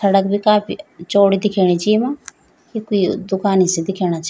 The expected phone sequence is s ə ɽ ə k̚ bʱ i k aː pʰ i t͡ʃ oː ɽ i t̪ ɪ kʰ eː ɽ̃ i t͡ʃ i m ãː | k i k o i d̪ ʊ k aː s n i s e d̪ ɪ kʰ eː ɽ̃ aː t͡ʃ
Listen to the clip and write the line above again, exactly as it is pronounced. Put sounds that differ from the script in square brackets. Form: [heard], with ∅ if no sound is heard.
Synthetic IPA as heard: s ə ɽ ə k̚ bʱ i k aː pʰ i t͡ʃ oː ɽ i [d̪] ɪ kʰ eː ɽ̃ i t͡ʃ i m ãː | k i k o i d̪ ʊ k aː [∅] n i s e d̪ ɪ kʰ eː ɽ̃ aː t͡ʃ